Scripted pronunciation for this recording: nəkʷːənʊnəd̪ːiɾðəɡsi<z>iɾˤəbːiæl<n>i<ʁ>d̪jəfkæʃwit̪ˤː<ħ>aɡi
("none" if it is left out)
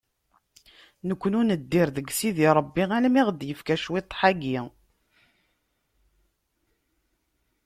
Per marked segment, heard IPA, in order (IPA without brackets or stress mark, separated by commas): ð, m, ʁ, ħ